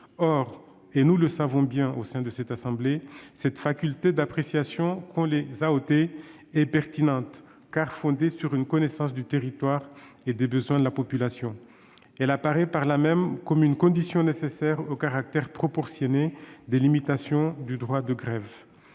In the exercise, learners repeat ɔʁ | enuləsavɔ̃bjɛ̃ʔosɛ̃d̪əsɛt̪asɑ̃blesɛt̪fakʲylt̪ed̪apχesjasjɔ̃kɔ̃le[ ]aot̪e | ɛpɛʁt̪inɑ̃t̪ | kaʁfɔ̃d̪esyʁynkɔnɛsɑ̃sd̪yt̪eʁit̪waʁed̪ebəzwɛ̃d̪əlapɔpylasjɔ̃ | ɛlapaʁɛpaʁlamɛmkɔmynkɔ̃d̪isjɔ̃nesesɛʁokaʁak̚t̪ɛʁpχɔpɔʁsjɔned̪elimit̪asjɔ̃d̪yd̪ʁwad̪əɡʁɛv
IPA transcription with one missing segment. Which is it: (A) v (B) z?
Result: B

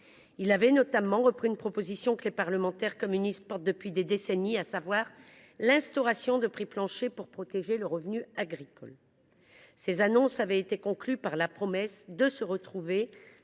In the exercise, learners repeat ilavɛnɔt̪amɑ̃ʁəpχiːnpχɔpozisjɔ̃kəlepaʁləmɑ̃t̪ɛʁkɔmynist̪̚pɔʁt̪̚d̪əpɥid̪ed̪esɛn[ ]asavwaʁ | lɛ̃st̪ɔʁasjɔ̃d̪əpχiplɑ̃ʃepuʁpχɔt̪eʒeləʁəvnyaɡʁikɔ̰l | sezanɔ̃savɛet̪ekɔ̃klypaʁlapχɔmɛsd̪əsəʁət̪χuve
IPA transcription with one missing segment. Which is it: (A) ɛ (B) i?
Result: B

